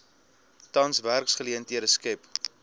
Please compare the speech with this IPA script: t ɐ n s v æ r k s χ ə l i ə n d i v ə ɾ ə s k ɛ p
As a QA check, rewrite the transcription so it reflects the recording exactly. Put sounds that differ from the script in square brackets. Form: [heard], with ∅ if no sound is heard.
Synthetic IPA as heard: t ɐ n s v æ r k s χ ə l i ə n [t] i [∅] ə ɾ ə s k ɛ p